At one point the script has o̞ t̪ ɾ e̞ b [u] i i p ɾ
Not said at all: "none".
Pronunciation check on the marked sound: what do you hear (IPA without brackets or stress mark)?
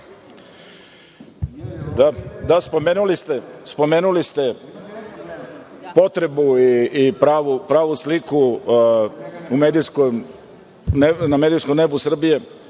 u